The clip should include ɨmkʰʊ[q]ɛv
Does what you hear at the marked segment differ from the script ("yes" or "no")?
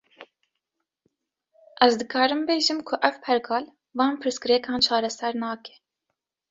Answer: yes